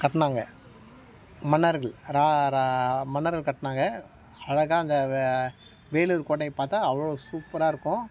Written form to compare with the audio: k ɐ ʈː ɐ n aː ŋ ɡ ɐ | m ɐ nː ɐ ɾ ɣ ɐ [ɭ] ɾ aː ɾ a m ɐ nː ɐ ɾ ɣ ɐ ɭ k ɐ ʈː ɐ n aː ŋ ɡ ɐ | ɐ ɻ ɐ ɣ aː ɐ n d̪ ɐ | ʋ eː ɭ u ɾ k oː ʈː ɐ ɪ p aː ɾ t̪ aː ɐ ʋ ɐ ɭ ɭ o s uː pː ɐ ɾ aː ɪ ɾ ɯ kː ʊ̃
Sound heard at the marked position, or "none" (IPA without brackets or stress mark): ɭ